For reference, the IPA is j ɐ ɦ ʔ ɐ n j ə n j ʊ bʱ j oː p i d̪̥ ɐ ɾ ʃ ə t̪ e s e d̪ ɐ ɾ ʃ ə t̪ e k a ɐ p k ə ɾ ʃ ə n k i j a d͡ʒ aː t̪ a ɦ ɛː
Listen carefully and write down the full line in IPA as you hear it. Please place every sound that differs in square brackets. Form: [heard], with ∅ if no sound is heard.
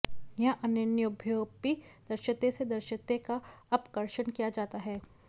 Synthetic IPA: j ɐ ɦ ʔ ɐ n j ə n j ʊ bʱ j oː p i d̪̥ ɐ ɾ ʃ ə t̪ e s e d̪ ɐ ɾ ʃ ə t̪ e k a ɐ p k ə ɾ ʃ ə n k i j a d͡ʒ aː t̪ a ɦ ɛː